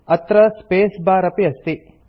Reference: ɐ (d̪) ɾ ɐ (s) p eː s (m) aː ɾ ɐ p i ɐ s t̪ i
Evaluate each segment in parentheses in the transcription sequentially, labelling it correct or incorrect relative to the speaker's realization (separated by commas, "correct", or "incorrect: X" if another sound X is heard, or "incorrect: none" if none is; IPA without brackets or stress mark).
incorrect: t̪, correct, incorrect: b